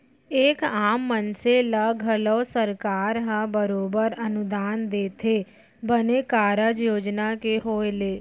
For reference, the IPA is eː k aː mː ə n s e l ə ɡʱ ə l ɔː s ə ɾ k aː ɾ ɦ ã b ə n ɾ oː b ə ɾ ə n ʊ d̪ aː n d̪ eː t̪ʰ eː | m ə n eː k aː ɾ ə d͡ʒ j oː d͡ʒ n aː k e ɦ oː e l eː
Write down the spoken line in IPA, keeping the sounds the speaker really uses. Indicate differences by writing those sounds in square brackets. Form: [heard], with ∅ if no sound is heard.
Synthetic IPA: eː k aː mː ə n s e l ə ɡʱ ə l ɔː s ə ɾ k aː ɾ ɦ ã b ə [∅] ɾ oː b ə ɾ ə n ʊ d̪ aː n d̪ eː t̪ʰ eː | [b] ə n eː k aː ɾ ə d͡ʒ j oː d͡ʒ n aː k e ɦ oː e l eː

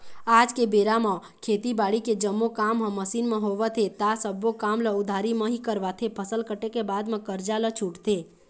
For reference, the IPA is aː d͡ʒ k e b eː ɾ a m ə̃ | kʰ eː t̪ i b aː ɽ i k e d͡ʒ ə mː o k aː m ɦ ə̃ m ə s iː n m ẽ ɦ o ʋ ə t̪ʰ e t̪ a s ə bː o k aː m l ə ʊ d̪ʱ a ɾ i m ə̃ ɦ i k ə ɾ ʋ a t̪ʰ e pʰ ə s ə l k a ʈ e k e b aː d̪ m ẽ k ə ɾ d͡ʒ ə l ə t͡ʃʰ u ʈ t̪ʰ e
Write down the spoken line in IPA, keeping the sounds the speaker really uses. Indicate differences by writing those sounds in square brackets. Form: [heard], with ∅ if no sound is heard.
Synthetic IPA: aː d͡ʒ k e b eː ɾ a m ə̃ | kʰ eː t̪ i b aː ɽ i k e d͡ʒ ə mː o k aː m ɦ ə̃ m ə s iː n m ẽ ɦ o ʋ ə t̪ʰ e t̪ a s ə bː o k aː m l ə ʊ d̪ʱ a ɾ i m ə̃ ɦ i k ə ɾ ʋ a t̪ʰ e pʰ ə s ə l k [ə] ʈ e k e b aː d̪ m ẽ k ə ɾ d͡ʒ [a] l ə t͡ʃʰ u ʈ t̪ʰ e

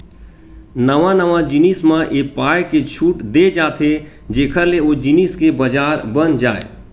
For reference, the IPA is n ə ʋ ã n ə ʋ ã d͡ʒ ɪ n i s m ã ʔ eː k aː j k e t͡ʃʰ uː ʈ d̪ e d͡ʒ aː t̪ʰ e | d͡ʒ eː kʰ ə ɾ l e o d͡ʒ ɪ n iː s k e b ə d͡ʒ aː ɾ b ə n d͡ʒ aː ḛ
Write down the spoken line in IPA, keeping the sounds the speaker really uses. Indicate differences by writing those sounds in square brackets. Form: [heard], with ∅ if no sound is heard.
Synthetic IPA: n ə ʋ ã n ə ʋ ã d͡ʒ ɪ n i s m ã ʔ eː [p] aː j k e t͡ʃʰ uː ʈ d̪ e d͡ʒ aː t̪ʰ e | d͡ʒ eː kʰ ə ɾ l e o d͡ʒ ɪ n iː s k e b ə d͡ʒ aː ɾ b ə n d͡ʒ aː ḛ

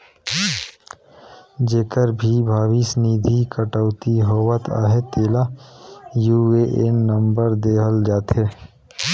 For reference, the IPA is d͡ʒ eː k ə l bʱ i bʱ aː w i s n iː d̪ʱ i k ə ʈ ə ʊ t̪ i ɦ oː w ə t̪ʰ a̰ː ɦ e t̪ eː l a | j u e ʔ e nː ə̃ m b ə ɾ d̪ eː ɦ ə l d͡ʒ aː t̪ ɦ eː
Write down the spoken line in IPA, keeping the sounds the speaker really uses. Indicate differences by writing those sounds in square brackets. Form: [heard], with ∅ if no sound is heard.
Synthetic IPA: d͡ʒ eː k ə [ɾ] bʱ i bʱ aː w i s n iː d̪ʱ i k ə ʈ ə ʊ t̪ i ɦ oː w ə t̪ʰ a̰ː ɦ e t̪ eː l a | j u e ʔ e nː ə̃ m b ə ɾ d̪ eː ɦ ə l d͡ʒ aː t̪ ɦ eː

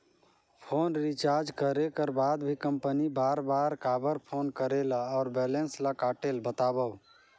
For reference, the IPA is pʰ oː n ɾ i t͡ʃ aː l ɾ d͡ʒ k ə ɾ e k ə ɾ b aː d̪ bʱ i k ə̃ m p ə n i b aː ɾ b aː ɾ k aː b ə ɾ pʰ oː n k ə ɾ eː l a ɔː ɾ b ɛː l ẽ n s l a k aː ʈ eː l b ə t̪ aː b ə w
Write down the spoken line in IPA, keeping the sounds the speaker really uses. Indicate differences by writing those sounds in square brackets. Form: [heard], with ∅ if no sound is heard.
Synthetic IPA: pʰ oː n ɾ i t͡ʃ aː [∅] ɾ d͡ʒ k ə ɾ e k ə ɾ b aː d̪ bʱ i k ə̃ m p ə n i b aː ɾ b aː ɾ k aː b ə ɾ pʰ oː n k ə ɾ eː l a ɔː ɾ b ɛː l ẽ n s l a k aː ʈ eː l b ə t̪ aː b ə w

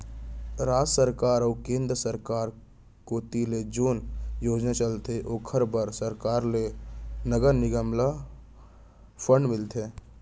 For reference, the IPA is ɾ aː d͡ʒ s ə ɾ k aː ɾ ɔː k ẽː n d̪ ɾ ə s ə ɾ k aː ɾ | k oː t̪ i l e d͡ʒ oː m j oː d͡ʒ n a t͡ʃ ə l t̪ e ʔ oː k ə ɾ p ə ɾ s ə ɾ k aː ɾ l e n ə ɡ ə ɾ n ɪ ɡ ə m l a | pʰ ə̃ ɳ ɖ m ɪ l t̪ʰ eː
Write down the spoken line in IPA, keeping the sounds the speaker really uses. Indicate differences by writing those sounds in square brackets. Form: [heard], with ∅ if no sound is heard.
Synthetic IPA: ɾ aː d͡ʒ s ə ɾ k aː ɾ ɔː k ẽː n d̪ ɾ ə s ə ɾ k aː ɾ | k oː t̪ i l e d͡ʒ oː [n] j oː d͡ʒ n a t͡ʃ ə l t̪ e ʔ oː [kʰ] ə ɾ [b] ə ɾ s ə ɾ k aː ɾ l e n ə ɡ ə ɾ n ɪ ɡ ə m l a | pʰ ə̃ ɳ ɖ m ɪ l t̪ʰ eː

